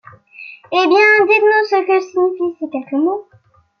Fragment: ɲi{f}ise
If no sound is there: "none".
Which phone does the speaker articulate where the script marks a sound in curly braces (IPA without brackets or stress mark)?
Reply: f